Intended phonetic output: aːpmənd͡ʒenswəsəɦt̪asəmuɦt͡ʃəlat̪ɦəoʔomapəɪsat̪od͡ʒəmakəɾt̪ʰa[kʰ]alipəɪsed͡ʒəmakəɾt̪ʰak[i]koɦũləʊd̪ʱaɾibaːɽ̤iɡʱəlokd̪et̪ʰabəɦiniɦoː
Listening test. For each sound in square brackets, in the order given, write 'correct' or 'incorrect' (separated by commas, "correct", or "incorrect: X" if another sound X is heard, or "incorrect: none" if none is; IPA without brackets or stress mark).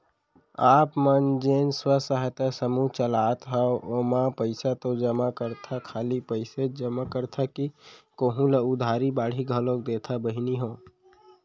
correct, correct